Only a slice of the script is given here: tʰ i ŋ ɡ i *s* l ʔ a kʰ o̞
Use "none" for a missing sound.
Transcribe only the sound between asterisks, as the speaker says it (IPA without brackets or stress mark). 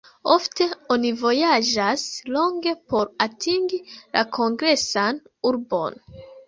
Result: none